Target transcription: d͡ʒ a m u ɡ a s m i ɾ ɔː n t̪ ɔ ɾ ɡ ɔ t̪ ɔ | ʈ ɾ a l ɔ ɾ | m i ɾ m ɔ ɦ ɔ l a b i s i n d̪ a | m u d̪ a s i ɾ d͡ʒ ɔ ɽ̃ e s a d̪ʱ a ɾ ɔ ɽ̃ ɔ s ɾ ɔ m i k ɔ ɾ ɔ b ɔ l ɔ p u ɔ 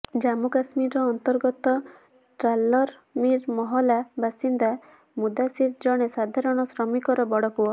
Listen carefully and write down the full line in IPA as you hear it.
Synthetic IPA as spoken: d͡ʒ a m u k a s m i ɾ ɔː n t̪ ɔ ɾ ɡ ɔ t̪ ɔ | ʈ ɾ a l ɔ ɾ | m i ɾ m ɔ ɦ ɔ l a b a s i n d̪ a | m u d̪ a s i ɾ d͡ʒ ɔ ɽ̃ e s a d̪ʱ a ɾ ɔ ɽ̃ ɔ s ɾ ɔ m i k ɔ ɾ ɔ b ɔ ɽ ɔ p u ɔ